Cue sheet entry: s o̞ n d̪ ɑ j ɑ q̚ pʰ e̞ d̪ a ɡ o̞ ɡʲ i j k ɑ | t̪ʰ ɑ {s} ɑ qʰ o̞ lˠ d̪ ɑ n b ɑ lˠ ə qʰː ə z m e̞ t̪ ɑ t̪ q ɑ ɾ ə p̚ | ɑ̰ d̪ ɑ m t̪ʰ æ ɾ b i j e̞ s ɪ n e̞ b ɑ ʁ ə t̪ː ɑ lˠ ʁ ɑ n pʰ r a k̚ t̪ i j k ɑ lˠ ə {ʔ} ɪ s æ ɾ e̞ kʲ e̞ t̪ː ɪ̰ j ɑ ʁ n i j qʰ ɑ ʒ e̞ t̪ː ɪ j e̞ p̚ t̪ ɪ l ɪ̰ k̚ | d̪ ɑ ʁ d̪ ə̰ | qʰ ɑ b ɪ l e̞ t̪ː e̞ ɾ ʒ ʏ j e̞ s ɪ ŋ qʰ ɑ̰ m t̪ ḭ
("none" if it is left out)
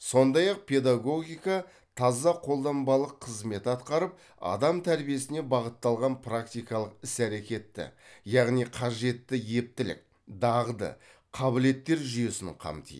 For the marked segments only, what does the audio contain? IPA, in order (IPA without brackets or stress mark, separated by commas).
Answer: z, q